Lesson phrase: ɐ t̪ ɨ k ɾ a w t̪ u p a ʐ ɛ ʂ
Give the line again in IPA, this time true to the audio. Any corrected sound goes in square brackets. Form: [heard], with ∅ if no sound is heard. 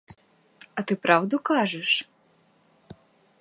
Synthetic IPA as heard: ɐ t̪ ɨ [p] ɾ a w [d̪] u [k] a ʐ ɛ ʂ